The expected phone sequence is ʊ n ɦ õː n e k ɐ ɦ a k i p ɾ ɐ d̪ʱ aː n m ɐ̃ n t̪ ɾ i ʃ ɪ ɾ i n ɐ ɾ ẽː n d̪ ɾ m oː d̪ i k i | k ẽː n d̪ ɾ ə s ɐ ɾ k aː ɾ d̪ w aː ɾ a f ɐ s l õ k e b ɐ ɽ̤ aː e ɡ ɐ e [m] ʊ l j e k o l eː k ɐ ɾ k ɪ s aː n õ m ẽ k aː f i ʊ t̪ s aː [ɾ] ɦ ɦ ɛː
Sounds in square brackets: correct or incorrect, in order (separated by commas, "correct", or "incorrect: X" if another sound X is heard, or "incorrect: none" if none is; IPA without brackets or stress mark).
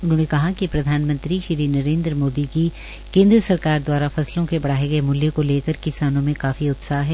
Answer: correct, incorrect: none